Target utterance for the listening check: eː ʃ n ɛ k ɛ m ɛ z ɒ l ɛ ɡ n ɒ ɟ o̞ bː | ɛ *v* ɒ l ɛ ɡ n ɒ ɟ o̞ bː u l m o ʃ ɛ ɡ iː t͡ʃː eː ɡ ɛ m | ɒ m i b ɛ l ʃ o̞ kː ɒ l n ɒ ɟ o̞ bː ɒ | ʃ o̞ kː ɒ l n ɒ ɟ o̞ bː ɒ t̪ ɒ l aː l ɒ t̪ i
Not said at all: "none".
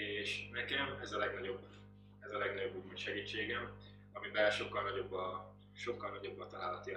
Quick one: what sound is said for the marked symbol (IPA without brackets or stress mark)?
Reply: z